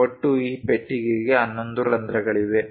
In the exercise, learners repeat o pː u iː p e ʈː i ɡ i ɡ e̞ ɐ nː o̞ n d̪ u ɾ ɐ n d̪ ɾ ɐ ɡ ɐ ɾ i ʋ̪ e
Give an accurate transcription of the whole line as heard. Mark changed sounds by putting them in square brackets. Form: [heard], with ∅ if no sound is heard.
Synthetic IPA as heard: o [ʈː] u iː p e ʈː i ɡ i ɡ e̞ ɐ nː o̞ n d̪ u ɾ ɐ n d̪ ɾ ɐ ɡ ɐ [ɭ] i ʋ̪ e

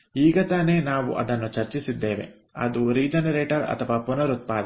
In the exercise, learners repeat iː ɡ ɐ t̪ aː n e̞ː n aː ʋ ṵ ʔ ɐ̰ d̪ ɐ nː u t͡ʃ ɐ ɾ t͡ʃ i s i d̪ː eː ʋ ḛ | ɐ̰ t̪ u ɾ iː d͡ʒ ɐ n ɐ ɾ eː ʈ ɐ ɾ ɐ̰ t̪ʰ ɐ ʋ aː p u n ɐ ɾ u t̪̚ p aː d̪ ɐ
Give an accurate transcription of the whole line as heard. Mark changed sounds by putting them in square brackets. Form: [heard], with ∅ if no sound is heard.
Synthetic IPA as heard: iː ɡ ɐ t̪ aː n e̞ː n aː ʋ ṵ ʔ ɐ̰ d̪ ɐ nː u t͡ʃ ɐ ɾ t͡ʃ i s i d̪ː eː ʋ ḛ | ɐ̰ [d̪] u ɾ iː d͡ʒ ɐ n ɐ ɾ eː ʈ ɐ ɾ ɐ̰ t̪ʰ ɐ ʋ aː p u n ɐ ɾ u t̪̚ p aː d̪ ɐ

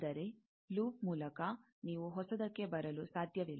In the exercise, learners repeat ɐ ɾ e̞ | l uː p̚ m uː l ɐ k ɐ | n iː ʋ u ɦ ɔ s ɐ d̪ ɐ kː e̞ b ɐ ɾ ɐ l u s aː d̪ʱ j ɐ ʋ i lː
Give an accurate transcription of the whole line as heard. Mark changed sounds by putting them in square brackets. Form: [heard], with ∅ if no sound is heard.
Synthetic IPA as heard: ɐ ɾ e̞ | l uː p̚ m uː l ɐ k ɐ | n iː ʋ u ɦ ɔ s ɐ d̪ ɐ kː e̞ b ɐ ɾ ɐ l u s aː d̪ʱ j ɐ ʋ i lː

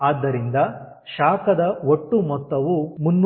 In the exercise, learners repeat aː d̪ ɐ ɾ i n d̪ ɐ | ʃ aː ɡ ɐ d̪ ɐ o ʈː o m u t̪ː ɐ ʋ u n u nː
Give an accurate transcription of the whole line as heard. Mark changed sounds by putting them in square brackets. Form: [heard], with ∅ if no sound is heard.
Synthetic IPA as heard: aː [d̪ː] ɐ ɾ i n d̪ ɐ | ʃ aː [k] ɐ d̪ ɐ o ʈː [u] m [ɔ] t̪ː ɐ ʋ u [m] u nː

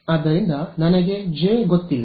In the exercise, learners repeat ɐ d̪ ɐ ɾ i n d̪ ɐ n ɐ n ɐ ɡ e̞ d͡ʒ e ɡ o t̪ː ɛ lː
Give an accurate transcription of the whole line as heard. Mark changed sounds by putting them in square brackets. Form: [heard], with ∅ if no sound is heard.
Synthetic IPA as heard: ɐ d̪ ɐ ɾ i n d̪ ɐ n ɐ n ɐ ɡ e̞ d͡ʒ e ɡ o t̪ː [i] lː

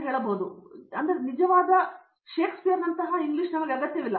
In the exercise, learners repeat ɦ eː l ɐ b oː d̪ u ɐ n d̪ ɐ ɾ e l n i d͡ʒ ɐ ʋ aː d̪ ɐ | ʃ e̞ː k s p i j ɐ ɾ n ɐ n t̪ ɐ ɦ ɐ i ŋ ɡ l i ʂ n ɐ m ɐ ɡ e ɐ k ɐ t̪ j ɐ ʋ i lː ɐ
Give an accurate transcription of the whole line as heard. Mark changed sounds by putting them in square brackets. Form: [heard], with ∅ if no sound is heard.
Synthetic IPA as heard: ɦ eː [ɭ] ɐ b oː d̪ u ɐ n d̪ ɐ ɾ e [∅] n i d͡ʒ ɐ ʋ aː d̪ ɐ | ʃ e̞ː k s p i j ɐ ɾ n ɐ n t̪ ɐ ɦ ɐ i ŋ ɡ l i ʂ n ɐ m ɐ ɡ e ɐ [ɡ] ɐ t̪ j ɐ ʋ i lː ɐ

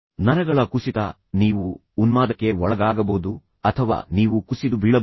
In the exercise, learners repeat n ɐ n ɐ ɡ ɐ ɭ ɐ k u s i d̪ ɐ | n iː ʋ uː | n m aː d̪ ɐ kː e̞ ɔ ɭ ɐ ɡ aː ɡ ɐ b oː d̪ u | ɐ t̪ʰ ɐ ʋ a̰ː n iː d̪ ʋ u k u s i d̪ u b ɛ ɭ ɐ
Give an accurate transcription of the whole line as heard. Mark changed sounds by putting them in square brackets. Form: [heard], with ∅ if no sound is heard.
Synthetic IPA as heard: n ɐ n ɐ ɡ ɐ ɭ ɐ k u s i [t̪] ɐ | n iː ʋ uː | n m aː d̪ ɐ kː e̞ ɔ ɭ ɐ ɡ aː ɡ ɐ b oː d̪ u | ɐ t̪ʰ ɐ ʋ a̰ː n iː [∅] ʋ u k u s i d̪ u b [i] ɭ ɐ

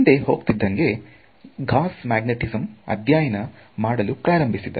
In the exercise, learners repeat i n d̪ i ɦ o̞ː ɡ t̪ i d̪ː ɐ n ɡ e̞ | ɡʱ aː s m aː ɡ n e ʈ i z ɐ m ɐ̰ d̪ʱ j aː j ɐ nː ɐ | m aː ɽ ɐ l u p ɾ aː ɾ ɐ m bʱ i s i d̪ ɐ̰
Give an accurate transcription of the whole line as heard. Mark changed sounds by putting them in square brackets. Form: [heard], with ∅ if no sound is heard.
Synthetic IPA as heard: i n d̪ [e] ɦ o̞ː ɡ t̪ i d̪ː ɐ [ŋ] ɡ e̞ | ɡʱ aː s m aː ɡ n e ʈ i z ɐ m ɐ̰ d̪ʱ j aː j ɐ [n] ɐ | m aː ɽ ɐ l u p ɾ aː ɾ ɐ m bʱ i s i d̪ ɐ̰

